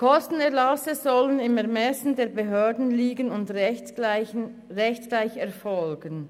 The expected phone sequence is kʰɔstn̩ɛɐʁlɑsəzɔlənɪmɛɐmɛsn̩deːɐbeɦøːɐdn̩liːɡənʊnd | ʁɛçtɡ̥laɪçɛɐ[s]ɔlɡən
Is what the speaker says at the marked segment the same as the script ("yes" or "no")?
no